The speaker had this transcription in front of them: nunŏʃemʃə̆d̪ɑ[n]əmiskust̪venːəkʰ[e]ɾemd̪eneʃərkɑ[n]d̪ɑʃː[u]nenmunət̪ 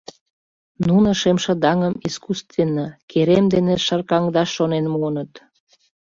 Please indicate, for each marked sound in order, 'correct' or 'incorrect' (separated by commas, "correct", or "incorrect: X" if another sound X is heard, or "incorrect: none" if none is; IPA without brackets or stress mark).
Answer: incorrect: ŋ, correct, incorrect: ŋ, incorrect: o